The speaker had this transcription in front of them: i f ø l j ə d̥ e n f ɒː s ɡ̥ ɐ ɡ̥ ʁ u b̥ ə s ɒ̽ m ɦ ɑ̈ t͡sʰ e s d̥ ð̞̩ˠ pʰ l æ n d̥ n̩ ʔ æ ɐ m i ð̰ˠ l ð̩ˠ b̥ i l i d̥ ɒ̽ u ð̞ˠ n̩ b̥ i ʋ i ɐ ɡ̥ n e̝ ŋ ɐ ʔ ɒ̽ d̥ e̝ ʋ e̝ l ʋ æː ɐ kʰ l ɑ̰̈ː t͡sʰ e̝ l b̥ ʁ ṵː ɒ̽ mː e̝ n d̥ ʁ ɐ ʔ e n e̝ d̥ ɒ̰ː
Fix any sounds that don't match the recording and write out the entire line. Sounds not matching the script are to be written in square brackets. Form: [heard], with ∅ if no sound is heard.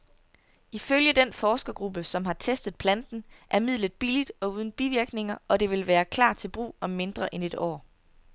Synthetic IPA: i f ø l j ə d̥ e n f ɒː s ɡ̥ ɐ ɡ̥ ʁ u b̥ ə s ɒ̽ m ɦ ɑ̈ t͡sʰ e s d̥ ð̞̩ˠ pʰ l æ n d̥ n̩ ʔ æ ɐ m i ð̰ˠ l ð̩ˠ b̥ i l i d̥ ɒ̽ u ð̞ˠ n̩ b̥ i ʋ i ɐ ɡ̥ n e̝ ŋ ɐ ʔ ɒ̽ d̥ e̝ ʋ e̝ l ʋ æː ɐ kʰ l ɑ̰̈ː t͡sʰ e̝ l b̥ ʁ ṵː ɒ̽ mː e̝ n d̥ ʁ ɐ ʔ e n e̝ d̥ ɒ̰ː